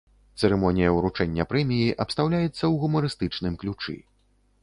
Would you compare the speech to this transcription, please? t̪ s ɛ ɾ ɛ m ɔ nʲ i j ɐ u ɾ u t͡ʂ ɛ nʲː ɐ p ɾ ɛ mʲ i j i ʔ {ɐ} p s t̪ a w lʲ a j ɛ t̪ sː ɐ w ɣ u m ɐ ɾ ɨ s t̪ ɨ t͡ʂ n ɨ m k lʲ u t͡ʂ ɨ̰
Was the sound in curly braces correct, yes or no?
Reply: yes